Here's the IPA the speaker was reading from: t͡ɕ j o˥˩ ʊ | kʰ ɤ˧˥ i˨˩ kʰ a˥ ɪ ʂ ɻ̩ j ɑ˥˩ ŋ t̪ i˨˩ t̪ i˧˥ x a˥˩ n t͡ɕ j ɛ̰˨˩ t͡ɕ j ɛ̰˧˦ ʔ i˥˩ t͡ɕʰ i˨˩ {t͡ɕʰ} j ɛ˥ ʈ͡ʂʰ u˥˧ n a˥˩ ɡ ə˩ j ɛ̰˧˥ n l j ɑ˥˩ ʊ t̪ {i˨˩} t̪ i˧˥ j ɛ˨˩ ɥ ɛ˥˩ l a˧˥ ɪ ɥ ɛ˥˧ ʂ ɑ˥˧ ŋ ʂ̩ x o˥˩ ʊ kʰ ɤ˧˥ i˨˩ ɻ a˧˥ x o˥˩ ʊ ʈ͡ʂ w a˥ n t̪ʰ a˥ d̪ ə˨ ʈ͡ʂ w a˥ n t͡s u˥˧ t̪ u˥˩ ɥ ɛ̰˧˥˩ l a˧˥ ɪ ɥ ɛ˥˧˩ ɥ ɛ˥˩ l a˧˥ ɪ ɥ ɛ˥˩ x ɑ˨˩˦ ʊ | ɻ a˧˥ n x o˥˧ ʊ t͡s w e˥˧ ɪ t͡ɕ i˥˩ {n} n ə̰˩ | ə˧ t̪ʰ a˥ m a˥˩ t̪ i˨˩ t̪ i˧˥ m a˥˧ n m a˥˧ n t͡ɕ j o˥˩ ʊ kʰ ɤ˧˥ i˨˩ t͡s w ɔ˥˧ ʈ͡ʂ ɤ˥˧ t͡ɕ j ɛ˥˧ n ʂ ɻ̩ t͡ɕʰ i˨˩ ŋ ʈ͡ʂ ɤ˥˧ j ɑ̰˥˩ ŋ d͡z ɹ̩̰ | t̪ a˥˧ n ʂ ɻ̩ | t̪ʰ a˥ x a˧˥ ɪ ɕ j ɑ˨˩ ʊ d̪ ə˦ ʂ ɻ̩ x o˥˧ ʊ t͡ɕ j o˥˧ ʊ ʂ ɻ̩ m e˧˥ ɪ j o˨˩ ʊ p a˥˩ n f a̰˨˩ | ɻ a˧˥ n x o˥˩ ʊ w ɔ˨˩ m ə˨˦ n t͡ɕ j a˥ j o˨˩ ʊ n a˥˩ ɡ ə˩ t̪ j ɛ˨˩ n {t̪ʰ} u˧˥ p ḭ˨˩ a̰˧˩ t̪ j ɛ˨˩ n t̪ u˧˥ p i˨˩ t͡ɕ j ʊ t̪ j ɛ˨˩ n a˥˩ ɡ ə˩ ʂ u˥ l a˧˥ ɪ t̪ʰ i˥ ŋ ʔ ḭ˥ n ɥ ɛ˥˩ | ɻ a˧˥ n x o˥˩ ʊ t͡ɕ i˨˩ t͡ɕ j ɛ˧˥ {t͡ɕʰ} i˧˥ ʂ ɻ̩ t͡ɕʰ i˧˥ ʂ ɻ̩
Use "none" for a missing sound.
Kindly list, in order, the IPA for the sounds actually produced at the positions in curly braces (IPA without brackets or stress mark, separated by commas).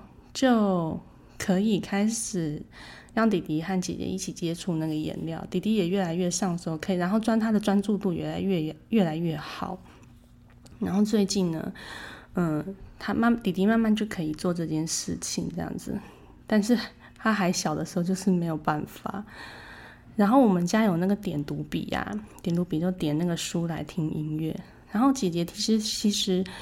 t͡ɕ, i˨˩, n, t̪, t͡ɕʰ